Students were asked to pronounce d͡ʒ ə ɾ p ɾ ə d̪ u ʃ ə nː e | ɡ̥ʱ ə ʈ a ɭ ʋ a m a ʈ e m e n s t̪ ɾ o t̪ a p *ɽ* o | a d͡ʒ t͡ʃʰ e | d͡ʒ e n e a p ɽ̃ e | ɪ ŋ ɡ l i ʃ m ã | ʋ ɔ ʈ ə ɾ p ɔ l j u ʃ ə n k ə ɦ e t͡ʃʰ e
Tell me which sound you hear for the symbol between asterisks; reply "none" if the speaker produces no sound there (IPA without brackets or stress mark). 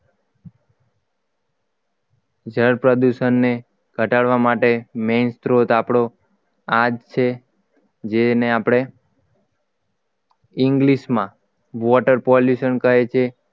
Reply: ɽ